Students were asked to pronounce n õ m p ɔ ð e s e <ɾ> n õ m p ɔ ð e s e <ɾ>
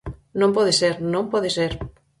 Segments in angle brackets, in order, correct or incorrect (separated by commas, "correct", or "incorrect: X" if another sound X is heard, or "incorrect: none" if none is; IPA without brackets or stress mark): correct, correct